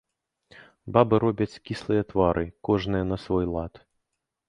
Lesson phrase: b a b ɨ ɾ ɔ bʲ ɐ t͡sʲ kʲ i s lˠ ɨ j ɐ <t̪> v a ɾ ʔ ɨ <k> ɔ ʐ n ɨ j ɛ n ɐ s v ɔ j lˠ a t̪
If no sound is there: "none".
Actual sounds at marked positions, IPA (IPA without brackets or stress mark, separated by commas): t̪, k